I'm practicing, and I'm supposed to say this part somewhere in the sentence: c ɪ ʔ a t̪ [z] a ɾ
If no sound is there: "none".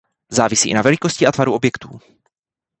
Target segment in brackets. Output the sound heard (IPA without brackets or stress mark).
v